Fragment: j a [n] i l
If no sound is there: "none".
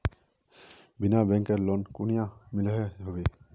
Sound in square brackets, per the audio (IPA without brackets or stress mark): m